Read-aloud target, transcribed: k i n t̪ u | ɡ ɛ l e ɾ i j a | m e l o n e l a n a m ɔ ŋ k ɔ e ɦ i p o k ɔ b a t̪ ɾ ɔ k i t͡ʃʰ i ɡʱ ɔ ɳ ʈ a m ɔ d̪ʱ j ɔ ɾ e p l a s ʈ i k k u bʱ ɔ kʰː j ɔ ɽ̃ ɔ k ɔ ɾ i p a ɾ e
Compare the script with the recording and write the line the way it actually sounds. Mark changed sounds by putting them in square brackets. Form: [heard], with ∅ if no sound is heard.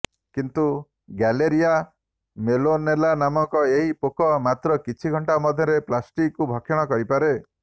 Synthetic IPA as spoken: k i n t̪ u | ɡ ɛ l e ɾ i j a | m e l o n e l a n a m ɔ ŋ k ɔ e ɦ i p o k ɔ [m] a t̪ ɾ ɔ k i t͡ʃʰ i ɡʱ ɔ ɳ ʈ a m ɔ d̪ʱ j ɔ ɾ e p l a s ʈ i k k u bʱ ɔ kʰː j ɔ ɽ̃ ɔ k ɔ ɾ i p a ɾ e

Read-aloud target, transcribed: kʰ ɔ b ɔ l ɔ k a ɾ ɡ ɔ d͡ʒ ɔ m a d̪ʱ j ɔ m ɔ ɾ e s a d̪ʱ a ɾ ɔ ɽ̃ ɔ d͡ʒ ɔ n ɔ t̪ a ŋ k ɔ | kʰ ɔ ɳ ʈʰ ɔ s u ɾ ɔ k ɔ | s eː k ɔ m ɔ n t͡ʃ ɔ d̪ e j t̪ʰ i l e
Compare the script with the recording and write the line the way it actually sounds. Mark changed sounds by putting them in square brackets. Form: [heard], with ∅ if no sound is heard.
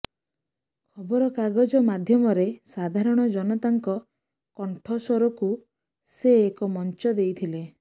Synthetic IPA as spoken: kʰ ɔ b ɔ [ɾ] ɔ k a [∅] ɡ ɔ d͡ʒ ɔ m a d̪ʱ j ɔ m ɔ ɾ e s a d̪ʱ a ɾ ɔ ɽ̃ ɔ d͡ʒ ɔ n ɔ t̪ a ŋ k ɔ | [k] ɔ ɳ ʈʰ ɔ s [ɔ] ɾ ɔ k [u] | s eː k ɔ m ɔ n t͡ʃ ɔ d̪ e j t̪ʰ i l e

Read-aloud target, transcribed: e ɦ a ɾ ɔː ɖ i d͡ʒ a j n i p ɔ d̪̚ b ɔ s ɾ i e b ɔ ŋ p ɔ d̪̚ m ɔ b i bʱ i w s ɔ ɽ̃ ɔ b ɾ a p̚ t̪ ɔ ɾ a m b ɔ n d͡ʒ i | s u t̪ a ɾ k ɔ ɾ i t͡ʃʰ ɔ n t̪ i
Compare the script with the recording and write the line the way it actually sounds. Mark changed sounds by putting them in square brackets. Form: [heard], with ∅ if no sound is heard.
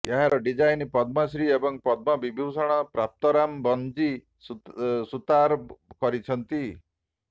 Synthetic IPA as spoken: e ɦ a ɾ [ɔ] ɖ i d͡ʒ a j n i p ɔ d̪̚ [m] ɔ s ɾ i e b ɔ ŋ p ɔ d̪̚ m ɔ b i bʱ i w s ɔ ɽ̃ ɔ [p] ɾ a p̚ t̪ ɔ ɾ a m b ɔ n d͡ʒ i | s u t̪ a ɾ k ɔ ɾ i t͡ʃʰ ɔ n t̪ i

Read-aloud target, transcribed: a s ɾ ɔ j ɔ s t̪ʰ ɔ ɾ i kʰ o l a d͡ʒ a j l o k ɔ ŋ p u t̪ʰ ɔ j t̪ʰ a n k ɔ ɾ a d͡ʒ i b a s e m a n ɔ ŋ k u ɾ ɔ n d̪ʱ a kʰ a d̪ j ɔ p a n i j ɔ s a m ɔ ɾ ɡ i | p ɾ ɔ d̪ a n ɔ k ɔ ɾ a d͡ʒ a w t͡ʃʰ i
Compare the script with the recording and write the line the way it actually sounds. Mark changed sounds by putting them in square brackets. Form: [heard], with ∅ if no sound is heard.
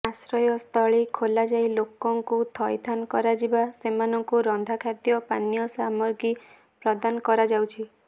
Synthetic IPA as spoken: a s ɾ ɔ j ɔ s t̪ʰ ɔ [ɭ] i kʰ o l a d͡ʒ a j l o k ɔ ŋ [k] u t̪ʰ ɔ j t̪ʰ a n k ɔ ɾ a d͡ʒ i b a s e m a n ɔ ŋ k u ɾ ɔ n d̪ʱ a kʰ a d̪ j ɔ p a n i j ɔ s a m ɔ ɾ ɡ i | p ɾ ɔ d̪ a n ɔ k ɔ ɾ a d͡ʒ a w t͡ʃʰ i

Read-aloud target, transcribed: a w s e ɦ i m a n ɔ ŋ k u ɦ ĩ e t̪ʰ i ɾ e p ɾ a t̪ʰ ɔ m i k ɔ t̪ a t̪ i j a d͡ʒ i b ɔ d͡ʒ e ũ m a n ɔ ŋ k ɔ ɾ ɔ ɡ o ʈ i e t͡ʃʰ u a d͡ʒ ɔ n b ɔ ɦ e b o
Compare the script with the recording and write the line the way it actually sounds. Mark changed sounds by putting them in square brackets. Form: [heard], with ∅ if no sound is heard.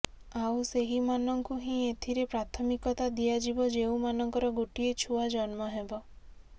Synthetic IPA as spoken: a w s e ɦ i m a n ɔ ŋ k u ɦ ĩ e t̪ʰ i ɾ e p ɾ a t̪ʰ ɔ m i k ɔ t̪ a [d̪] i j a d͡ʒ i b ɔ d͡ʒ e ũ m a n ɔ ŋ k ɔ ɾ ɔ ɡ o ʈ i e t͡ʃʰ u a d͡ʒ ɔ n [m] ɔ ɦ e b [ɔ]

